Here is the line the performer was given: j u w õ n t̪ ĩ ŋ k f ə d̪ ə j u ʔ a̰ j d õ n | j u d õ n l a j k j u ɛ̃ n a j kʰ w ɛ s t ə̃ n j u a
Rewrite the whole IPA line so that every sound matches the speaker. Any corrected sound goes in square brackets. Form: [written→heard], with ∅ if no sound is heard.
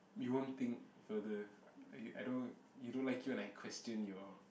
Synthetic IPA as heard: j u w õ n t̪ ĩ ŋ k f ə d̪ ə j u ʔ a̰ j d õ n | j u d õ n l a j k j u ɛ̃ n a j kʰ w ɛ s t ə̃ n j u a